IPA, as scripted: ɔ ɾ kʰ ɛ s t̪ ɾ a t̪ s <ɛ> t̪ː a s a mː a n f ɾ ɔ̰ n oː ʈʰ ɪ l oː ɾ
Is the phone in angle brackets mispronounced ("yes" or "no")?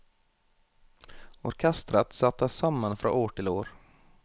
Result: yes